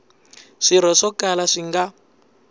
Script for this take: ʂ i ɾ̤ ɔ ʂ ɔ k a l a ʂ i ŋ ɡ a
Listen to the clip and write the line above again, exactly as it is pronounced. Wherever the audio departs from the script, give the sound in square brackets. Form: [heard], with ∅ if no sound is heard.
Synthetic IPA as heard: ʂ i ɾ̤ ɔ ʂ ɔ k a l a ʂ i ŋ ɡ a